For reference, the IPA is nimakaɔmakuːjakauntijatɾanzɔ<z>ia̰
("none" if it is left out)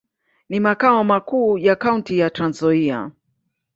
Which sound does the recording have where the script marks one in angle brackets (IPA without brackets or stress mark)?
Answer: none